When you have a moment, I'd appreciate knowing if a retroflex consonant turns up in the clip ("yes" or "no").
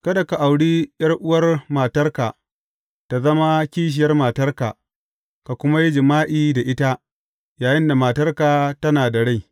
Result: yes